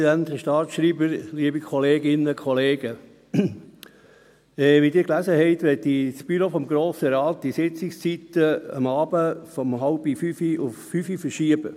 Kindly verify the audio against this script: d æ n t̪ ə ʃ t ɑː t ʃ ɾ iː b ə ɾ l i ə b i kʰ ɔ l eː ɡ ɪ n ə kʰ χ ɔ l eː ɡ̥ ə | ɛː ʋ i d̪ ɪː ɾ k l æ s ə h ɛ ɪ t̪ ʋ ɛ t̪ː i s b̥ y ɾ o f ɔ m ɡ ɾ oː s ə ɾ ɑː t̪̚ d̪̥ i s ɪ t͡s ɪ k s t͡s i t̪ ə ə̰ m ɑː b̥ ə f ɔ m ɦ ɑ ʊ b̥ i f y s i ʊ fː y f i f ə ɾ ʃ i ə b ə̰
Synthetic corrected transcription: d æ n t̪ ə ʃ t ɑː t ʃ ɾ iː b ə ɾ l i ə b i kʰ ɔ l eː ɡ ɪ n ə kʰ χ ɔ l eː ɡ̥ ə | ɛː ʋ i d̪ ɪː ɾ k l æ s ə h ɛ ɪ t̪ ʋ ɛ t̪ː i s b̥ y ɾ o f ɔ m ɡ ɾ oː s ə ɾ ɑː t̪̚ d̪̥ i s ɪ t͡s ɪ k s t͡s i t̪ ə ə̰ m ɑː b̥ ə f ɔ m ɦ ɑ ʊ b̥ i f y f i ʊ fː y f i f ə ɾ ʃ i ə b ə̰